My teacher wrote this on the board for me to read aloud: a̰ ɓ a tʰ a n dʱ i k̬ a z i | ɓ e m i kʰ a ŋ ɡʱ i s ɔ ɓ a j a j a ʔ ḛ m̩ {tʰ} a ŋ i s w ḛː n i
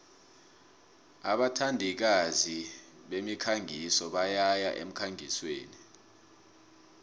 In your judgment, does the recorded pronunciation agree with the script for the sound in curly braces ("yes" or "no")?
no